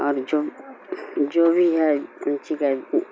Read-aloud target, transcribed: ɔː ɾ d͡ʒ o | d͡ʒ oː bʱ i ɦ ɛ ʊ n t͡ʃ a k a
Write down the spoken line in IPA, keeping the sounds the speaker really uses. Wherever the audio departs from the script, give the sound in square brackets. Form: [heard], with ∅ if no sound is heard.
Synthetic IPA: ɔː ɾ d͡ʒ o | d͡ʒ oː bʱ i ɦ ɛ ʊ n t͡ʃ [i] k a